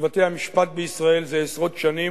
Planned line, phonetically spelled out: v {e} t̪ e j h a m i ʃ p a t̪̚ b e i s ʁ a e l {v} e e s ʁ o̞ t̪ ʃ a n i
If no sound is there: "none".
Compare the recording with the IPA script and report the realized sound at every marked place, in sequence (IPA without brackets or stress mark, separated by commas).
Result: a, z